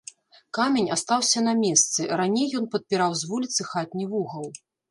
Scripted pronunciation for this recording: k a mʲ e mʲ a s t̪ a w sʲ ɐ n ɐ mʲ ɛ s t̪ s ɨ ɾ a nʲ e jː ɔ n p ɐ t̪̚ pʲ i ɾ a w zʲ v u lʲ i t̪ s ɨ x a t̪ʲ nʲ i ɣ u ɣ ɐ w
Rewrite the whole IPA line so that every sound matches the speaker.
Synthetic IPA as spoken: k a mʲ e nʲ a s t̪ a w sʲ ɐ n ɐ mʲ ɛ s t̪ s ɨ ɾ a nʲ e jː ɔ n p ɐ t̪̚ pʲ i ɾ a w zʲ v u lʲ i t̪ s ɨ x a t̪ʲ nʲ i v u ɣ ɐ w